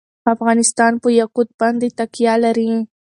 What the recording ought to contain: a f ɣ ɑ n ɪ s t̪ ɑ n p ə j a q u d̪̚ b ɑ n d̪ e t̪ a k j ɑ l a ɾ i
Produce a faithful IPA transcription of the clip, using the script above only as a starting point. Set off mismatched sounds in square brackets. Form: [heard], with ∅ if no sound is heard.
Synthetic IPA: a f ɣ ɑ n ɪ s t̪ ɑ n p ə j a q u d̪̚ b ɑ n d̪ e t̪ a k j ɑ l a ɾ i

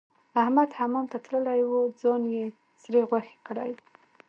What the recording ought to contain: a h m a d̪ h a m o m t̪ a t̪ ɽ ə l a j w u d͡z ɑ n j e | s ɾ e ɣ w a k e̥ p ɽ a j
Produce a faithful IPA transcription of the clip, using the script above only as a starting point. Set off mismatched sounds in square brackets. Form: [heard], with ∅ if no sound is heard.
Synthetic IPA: a h m a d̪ h a m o m t̪ a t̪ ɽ ə l a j w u d͡z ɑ n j e | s ɾ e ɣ w a [x] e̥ [k] ɽ a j

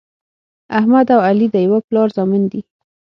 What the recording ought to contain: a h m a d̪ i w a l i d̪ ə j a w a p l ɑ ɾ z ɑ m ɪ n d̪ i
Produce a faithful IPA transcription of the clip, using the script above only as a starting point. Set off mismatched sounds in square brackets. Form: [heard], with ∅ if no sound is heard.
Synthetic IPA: a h m a d̪ [a] w a l i d̪ ə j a w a p l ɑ ɾ z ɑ m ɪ n d̪ i

